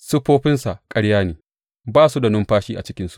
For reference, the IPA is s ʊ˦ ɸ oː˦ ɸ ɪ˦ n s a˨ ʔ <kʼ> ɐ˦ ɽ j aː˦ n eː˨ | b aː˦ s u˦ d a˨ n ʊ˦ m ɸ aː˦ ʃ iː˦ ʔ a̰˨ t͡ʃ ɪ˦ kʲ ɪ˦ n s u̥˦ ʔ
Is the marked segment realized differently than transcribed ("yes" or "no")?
no